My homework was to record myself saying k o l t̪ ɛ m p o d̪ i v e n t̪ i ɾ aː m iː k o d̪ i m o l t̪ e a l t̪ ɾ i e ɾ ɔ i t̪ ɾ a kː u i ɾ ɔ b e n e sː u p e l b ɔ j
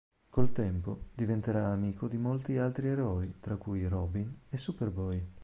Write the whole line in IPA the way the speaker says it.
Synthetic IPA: k o l t̪ ɛ m p o d̪ i v e n t̪ e ɾ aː m iː k o d̪ i m o l t̪ i a l t̪ ɾ i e ɾ ɔ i t̪ ɾ a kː u j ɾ ɔ b i n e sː u p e r b ɔ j